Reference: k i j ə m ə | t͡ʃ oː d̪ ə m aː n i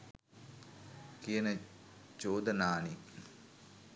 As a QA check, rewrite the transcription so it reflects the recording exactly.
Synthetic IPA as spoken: k i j ə n ə | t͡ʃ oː d̪ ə n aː n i